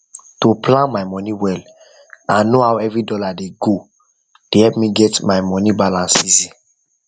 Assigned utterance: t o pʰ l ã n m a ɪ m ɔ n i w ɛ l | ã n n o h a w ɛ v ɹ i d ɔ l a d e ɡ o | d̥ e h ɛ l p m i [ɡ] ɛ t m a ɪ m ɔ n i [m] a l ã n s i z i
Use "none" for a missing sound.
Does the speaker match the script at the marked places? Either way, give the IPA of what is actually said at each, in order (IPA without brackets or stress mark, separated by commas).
ɡ, b